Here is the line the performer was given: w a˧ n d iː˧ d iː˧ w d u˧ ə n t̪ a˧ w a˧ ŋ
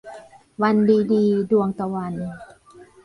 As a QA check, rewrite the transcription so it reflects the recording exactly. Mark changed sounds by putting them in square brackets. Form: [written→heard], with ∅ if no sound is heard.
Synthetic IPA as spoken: w a˧ n d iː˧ d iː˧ [w→∅] d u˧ ə [n→ŋ] t̪ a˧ w a˧ [ŋ→n]